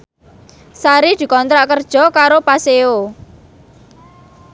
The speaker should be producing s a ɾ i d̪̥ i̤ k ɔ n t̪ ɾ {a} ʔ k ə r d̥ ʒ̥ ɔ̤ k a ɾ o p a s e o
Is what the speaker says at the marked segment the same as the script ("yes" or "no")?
yes